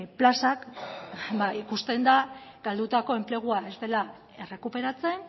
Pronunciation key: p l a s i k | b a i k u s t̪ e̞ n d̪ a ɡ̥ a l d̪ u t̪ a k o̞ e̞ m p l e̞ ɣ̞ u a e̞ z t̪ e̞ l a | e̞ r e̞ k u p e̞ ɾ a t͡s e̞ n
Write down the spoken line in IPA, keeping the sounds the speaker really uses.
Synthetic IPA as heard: p l a s a k | b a i k u s t̪ e̞ n d̪ a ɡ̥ a l d̪ u t̪ a k o̞ e̞ m p l e̞ ɣ̞ u a e̞ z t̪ e̞ l a | e̞ r e̞ k u p e̞ ɾ a t͡s e̞ n